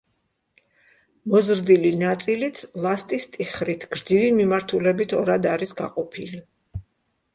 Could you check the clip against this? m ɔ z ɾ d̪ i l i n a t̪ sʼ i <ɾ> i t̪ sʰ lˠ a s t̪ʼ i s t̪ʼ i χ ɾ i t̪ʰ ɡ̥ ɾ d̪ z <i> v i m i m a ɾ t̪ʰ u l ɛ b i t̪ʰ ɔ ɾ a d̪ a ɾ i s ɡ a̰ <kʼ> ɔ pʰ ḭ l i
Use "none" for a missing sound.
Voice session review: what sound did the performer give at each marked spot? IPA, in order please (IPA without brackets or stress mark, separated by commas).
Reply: l, i, qʼ